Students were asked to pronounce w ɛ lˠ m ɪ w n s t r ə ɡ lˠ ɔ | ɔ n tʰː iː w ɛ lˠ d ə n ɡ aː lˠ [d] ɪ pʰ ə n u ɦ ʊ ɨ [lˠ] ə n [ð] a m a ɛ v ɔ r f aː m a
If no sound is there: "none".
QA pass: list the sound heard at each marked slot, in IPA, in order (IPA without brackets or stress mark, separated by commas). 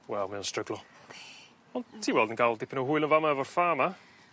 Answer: d, lˠ, v